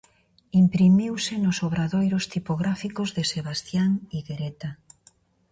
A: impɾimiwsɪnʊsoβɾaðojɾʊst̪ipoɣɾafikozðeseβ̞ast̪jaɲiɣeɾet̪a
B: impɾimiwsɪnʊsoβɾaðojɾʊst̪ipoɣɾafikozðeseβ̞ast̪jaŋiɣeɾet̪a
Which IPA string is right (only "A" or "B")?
B